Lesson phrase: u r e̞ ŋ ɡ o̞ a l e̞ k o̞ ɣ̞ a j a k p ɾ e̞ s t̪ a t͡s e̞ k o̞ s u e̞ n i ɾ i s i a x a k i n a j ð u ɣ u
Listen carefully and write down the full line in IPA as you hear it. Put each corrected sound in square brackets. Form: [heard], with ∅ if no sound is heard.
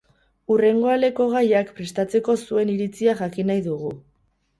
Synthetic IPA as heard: u r e̞ ŋ ɡ o̞ a l e̞ k o̞ ɣ̞ a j a k p ɾ e̞ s t̪ a t͡s e̞ k o̞ s u e̞ n i ɾ i [t͡s] i a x a k i n a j ð u ɣ u